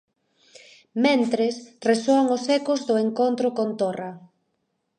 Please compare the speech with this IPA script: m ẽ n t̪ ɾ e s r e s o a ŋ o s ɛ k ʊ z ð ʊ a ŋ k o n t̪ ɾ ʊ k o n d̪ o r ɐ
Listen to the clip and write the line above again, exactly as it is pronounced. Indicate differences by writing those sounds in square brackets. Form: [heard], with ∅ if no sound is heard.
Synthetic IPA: m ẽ n t̪ ɾ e s r e s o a ŋ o s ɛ k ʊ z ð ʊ [e] ŋ k o n t̪ ɾ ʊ k o n [t̪] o r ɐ